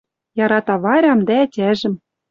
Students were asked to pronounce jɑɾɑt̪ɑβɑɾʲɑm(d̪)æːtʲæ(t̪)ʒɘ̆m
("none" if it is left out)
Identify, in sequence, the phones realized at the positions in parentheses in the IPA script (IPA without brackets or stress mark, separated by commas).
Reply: d̪, none